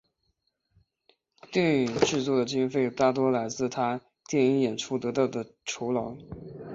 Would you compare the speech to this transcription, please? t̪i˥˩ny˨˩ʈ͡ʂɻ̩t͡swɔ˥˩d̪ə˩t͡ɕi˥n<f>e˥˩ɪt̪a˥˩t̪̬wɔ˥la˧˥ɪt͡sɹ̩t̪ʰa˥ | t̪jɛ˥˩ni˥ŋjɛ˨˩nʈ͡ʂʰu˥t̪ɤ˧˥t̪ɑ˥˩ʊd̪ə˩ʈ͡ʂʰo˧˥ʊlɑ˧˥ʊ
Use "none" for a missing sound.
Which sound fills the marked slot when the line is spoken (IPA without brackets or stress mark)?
f